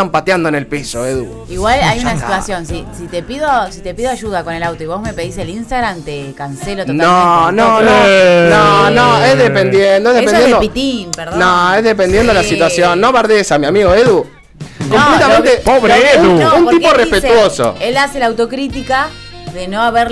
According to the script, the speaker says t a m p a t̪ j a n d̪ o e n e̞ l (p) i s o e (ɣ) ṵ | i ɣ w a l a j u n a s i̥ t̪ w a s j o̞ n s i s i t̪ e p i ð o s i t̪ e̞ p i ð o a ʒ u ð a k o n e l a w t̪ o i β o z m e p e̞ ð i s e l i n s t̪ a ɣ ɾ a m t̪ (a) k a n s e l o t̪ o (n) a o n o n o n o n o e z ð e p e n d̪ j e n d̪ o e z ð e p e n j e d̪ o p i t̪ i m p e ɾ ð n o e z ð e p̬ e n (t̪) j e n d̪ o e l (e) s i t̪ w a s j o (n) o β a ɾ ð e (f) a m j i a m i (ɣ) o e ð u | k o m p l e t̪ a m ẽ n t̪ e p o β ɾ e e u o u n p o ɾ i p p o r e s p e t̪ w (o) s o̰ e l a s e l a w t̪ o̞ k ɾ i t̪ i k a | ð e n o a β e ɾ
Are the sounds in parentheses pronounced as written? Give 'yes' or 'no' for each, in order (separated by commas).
yes, no, no, yes, no, no, no, no, yes, yes